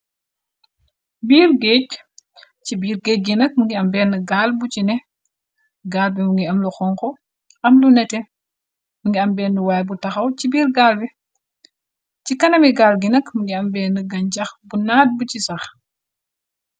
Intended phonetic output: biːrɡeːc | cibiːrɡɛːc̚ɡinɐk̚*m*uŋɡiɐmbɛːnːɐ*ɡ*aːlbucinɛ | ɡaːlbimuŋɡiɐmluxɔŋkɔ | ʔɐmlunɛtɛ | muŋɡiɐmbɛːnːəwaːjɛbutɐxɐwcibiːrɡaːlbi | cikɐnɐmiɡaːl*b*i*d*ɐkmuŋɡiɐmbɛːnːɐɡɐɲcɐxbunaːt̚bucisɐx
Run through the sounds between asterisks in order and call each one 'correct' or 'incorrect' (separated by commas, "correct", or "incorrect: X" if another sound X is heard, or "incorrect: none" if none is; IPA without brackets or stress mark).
correct, correct, incorrect: ɡ, incorrect: n